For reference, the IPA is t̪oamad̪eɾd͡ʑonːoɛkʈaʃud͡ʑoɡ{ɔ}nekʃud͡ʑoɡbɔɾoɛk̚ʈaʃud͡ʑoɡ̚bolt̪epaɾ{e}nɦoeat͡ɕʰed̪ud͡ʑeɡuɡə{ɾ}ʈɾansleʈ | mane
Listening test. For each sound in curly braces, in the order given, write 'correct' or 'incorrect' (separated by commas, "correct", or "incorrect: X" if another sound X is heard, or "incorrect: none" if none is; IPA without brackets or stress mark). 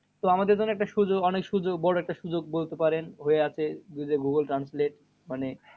correct, correct, incorrect: l